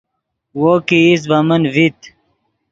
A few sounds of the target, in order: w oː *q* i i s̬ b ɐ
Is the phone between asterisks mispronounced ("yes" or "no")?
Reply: yes